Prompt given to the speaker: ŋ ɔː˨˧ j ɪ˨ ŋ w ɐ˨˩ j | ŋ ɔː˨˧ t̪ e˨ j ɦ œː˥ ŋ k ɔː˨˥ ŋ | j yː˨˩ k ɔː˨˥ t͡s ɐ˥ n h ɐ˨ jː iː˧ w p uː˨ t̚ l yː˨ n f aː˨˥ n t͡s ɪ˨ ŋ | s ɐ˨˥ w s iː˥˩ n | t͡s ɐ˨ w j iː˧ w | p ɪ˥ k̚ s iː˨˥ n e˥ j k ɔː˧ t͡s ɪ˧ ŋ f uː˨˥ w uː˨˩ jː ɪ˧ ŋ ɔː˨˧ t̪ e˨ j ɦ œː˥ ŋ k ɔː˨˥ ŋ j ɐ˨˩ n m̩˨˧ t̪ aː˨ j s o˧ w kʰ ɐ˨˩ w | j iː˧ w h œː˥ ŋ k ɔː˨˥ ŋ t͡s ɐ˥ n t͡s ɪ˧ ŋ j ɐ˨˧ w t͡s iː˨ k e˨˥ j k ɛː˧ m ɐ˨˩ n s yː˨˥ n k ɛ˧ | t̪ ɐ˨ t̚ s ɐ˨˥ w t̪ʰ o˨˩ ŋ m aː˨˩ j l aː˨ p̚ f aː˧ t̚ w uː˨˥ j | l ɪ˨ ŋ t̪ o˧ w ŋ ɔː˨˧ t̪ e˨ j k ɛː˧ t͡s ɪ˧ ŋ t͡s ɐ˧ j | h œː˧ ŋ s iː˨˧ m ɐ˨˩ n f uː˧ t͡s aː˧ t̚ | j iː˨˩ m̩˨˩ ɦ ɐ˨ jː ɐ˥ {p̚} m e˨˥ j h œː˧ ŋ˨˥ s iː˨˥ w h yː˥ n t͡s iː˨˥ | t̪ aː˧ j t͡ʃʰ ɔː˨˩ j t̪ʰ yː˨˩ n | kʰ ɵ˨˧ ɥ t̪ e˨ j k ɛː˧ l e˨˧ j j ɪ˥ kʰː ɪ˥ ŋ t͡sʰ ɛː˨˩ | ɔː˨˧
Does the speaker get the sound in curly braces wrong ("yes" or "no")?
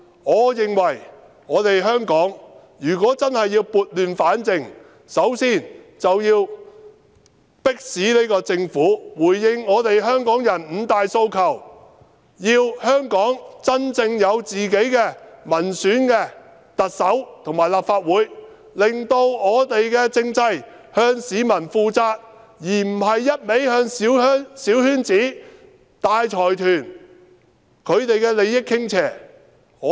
yes